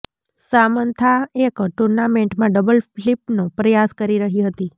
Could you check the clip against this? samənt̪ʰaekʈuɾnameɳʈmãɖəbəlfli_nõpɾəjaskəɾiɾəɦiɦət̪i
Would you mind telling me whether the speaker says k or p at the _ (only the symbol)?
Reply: p